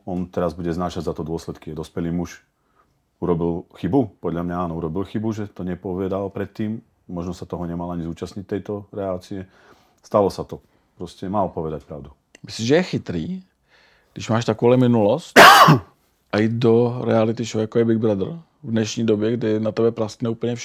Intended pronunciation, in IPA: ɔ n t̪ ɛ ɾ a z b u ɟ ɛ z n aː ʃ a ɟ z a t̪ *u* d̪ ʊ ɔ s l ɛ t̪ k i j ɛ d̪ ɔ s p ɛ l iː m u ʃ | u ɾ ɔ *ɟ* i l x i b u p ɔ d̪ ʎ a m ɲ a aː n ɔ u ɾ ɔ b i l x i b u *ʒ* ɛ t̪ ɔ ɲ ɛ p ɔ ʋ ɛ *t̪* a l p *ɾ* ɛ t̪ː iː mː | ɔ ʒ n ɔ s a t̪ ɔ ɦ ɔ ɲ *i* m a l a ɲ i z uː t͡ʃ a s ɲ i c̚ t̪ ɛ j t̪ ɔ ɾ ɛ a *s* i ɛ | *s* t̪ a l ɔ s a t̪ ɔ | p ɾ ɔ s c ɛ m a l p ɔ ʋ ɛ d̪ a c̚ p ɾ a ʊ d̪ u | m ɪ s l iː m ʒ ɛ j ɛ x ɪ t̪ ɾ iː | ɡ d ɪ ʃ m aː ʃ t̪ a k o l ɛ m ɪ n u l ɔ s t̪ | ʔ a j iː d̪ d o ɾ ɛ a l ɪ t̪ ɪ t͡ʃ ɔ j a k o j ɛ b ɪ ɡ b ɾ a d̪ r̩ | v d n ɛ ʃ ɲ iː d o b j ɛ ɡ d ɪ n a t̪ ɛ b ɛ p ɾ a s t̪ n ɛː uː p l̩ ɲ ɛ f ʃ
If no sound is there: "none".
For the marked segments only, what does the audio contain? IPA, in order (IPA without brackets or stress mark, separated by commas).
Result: ɔ, b, ʒ, d̪, ɾ, ɛ, t͡s, s